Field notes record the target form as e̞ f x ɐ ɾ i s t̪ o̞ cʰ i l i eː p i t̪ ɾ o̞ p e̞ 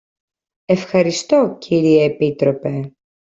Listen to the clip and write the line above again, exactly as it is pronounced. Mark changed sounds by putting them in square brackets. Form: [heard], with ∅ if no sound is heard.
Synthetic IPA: e̞ f x ɐ ɾ i s t̪ o̞ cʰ i [ɾ] i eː p i t̪ ɾ o̞ p e̞